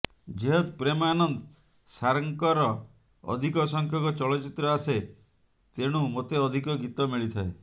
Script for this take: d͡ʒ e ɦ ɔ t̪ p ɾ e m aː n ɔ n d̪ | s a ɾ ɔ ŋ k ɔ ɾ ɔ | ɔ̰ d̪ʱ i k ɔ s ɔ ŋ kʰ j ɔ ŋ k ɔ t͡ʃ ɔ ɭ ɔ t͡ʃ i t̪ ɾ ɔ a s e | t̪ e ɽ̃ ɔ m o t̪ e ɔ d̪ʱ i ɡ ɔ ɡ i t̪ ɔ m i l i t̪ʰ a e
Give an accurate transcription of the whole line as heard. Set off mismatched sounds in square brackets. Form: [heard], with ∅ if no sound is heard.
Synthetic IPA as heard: d͡ʒ e ɦ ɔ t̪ p ɾ e m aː n ɔ n d̪ | s a ɾ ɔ ŋ k ɔ ɾ ɔ | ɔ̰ d̪ʱ i k ɔ s ɔ ŋ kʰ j ɔ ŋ k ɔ t͡ʃ ɔ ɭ ɔ t͡ʃ i t̪ ɾ ɔ a s e | t̪ e ɽ̃ [u] m o t̪ e ɔ d̪ʱ i [k] ɔ ɡ i t̪ ɔ m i [ɭ] i t̪ʰ a e